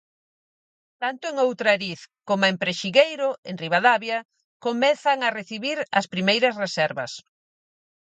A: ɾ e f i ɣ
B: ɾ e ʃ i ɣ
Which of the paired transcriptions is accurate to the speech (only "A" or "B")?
B